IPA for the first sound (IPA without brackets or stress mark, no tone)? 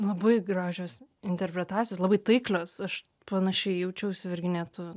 lˠ